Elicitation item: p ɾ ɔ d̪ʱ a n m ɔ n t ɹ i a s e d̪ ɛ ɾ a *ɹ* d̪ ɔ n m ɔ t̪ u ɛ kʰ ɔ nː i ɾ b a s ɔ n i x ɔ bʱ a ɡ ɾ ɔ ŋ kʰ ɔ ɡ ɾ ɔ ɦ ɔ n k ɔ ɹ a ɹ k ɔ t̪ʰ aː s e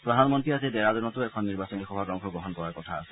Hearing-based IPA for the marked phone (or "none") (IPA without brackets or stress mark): none